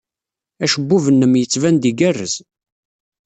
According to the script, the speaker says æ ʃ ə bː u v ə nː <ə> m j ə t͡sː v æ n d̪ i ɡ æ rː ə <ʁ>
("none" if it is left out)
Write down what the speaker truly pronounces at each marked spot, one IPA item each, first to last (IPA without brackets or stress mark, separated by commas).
ə, z